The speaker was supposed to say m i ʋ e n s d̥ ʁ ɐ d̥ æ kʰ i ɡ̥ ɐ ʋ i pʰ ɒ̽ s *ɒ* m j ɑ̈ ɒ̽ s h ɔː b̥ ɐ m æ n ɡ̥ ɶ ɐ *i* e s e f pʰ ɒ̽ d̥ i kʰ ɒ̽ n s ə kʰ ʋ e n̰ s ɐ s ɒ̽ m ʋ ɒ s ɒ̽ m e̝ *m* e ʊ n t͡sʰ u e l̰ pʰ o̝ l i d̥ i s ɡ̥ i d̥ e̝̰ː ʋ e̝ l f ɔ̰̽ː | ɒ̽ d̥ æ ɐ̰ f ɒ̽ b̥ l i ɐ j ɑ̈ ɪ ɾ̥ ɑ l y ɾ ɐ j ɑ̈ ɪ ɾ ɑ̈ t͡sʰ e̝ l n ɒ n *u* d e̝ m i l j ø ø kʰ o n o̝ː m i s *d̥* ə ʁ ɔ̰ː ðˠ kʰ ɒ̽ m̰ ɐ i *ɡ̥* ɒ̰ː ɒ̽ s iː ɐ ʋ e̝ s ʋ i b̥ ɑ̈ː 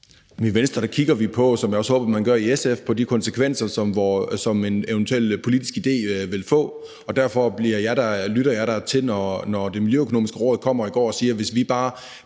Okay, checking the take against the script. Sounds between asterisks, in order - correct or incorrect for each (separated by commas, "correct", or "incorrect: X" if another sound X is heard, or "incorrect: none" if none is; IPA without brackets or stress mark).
correct, correct, incorrect: n, incorrect: ɒ, incorrect: ɡ̥, correct